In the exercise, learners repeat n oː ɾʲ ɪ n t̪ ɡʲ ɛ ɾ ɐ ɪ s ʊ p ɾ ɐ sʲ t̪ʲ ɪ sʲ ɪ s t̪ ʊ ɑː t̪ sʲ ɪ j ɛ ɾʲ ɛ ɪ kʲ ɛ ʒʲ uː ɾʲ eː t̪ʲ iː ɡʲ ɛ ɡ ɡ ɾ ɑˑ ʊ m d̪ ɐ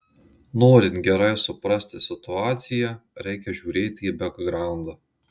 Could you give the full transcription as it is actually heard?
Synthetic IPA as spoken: n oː ɾʲ ɪ n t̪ ɡʲ ɛ ɾ ɐ ɪ s ʊ p ɾ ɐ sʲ t̪ʲ ɪ sʲ ɪ t̪ ʊ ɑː t̪ sʲ ɪ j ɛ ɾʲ ɛ ɪ kʲ ɛ ʒʲ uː ɾʲ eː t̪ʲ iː bʲ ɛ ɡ ɡ ɾ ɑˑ ʊ n d̪ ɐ